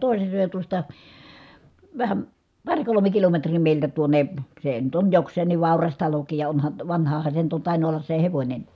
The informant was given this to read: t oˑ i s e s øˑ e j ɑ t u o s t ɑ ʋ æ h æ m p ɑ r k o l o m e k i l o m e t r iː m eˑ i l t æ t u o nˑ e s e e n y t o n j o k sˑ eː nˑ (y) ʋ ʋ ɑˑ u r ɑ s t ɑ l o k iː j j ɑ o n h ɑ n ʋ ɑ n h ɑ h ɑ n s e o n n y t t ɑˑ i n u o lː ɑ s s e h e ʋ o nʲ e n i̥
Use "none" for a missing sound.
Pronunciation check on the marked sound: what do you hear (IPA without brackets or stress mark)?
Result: i